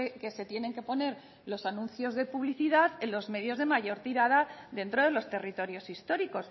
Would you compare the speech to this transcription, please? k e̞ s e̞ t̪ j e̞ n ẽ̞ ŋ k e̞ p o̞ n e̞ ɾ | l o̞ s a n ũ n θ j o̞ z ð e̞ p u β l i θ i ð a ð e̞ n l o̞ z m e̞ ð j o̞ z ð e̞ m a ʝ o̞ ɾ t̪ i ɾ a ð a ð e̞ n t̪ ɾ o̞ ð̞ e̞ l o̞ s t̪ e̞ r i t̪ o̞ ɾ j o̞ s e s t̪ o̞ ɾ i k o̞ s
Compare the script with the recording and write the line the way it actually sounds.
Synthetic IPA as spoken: k e̞ s e̞ t̪ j e̞ n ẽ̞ ŋ k e̞ p o̞ n e̞ ɾ | l o̞ s a n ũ n θ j o̞ z ð e̞ p u β l i θ i ð a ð e̞ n l o̞ z m e̞ ð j o̞ z ð e̞ m a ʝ o̞ ɾ t̪ i ɾ a ð a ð e̞ n t̪ ɾ o̞ ð̞ e̞ l o̞ s t̪ e̞ r i t̪ o̞ ɾ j o̞ s i s t̪ o̞ ɾ i k o̞ s